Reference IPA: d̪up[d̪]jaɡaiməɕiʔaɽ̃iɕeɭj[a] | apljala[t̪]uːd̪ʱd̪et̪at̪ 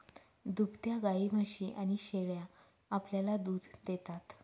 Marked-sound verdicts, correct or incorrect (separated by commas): incorrect, correct, incorrect